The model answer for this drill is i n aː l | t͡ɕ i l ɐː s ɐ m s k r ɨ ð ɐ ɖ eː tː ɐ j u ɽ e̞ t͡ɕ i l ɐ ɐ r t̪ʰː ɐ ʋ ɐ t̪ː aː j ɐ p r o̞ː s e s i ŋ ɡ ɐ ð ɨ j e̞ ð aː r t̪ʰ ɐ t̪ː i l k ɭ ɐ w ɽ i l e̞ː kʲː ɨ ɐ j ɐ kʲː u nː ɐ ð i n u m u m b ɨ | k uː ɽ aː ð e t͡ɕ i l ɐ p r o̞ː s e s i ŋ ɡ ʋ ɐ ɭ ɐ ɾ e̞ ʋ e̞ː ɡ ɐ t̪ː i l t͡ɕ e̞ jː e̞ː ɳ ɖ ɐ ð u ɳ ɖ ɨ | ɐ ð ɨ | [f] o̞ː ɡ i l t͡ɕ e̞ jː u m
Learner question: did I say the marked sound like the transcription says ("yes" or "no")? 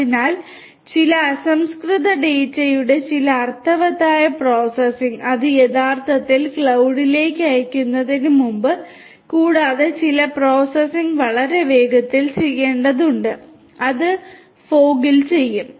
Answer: yes